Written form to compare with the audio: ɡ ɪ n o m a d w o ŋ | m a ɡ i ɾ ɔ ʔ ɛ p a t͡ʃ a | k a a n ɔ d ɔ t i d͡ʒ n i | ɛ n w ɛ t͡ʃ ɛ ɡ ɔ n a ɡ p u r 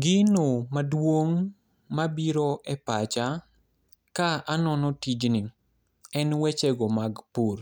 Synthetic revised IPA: ɡ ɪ n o m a d w o ŋ | m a b i ɾ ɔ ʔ ɛ p a t͡ʃ a | k a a n ɔ n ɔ t i d͡ʒ n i | ɛ n w ɛ t͡ʃ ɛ ɡ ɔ m a ɡ p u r